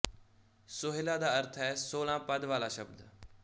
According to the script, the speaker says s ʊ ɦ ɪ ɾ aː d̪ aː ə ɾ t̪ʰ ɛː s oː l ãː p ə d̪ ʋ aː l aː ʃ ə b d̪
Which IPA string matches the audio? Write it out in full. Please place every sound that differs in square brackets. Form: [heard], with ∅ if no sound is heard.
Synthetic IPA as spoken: s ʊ ɦ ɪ [l] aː d̪ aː ə ɾ t̪ʰ ɛː s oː l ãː p ə d̪ ʋ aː l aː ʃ ə b d̪